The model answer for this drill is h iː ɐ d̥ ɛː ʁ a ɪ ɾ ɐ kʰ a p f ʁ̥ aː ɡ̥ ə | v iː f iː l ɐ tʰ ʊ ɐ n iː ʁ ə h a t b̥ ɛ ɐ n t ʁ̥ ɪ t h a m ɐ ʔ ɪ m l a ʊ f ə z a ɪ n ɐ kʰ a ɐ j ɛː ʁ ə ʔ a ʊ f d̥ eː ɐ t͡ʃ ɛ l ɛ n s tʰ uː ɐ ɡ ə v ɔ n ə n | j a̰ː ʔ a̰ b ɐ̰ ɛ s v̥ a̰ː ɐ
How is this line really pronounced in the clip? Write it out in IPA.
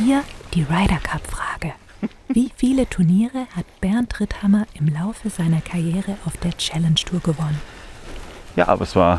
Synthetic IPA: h iː ɐ d̥ iː ʁ a ɪ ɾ ɐ kʰ a p f ʁ̥ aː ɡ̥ ə | v iː f iː l ə tʰ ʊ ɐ n iː ʁ ə h a t b̥ ɛ ɐ n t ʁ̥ ɪ t h a m ɐ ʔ ɪ m l a ʊ f ə z a ɪ n ɐ kʰ a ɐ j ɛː ʁ ə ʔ a ʊ f d̥ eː ɐ t͡ʃ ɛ l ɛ n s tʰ uː ɐ ɡ ə v ɔ n ə n | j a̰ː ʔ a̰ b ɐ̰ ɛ s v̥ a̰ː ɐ